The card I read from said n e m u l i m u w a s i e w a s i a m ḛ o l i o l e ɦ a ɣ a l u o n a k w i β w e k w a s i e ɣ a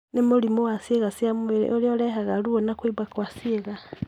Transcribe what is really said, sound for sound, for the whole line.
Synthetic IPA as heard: n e m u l i m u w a s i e ɣ a s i a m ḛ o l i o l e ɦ a ɣ a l u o n a k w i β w a k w a s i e ɣ a